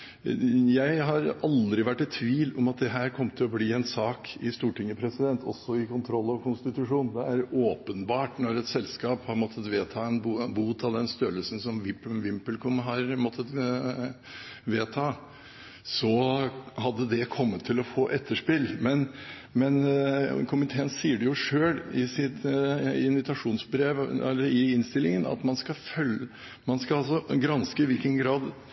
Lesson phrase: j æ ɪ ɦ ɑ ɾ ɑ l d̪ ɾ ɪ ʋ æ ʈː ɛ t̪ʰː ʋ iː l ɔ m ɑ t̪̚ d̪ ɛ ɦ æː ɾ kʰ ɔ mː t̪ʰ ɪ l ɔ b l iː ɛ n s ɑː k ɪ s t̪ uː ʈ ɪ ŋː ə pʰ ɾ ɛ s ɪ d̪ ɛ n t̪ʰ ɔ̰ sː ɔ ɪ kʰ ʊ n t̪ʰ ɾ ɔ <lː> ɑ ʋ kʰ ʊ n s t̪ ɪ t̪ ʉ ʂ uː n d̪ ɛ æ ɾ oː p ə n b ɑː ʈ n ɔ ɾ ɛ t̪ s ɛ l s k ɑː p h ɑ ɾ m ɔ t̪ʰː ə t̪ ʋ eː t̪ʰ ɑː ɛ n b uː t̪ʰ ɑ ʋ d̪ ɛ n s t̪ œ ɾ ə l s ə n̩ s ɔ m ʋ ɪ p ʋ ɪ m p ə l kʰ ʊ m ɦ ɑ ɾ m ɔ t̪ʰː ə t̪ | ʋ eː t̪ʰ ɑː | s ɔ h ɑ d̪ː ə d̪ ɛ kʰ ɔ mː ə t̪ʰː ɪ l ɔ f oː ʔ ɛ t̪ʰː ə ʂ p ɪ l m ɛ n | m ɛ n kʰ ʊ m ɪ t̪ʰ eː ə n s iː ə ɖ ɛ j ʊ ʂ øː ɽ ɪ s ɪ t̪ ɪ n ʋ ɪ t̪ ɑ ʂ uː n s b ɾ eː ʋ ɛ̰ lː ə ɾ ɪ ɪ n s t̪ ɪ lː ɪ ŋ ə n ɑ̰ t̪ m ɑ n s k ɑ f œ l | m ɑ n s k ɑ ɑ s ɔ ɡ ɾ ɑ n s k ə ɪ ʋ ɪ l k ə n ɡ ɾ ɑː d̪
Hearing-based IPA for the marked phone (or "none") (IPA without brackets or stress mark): lː